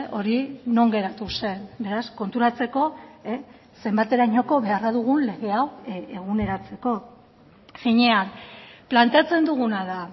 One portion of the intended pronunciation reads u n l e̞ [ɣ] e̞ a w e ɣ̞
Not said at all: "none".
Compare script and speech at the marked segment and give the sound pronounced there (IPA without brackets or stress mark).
ɣ